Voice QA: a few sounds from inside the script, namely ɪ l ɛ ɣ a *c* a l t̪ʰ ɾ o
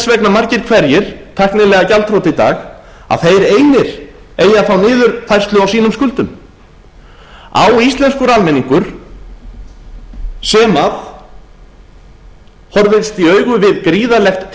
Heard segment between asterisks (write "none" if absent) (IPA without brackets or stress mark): c